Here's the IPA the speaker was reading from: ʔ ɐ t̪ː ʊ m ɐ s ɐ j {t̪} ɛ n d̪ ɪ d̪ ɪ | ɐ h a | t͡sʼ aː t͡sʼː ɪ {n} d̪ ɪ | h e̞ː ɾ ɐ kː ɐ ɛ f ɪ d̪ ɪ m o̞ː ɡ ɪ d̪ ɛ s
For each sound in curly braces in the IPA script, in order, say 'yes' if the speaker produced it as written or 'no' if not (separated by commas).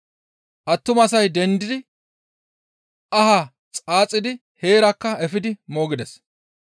no, no